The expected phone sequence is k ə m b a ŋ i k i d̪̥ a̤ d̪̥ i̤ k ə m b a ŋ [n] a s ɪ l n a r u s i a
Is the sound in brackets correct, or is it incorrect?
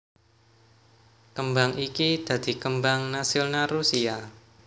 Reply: correct